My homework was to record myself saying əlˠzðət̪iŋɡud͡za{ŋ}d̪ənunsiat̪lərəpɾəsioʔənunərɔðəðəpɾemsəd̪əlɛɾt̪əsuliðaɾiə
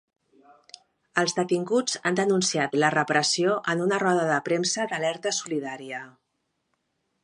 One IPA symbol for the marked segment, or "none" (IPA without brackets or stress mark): n